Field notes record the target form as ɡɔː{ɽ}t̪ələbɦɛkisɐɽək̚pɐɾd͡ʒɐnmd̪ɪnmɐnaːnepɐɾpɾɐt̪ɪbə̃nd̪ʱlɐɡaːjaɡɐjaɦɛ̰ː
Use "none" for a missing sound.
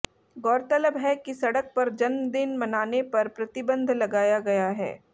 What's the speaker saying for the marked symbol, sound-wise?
ɾ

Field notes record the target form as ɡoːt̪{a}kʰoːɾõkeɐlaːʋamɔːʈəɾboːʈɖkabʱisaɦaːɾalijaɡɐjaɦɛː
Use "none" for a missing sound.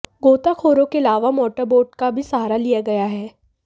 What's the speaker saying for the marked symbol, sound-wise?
a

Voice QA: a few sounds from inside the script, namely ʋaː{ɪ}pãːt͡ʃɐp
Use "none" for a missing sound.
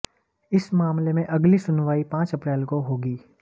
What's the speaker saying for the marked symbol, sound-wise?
i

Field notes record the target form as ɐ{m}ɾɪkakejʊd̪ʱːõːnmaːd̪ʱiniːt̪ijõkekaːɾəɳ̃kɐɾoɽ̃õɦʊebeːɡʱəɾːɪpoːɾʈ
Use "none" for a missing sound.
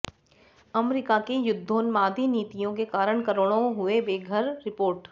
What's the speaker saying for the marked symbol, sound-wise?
m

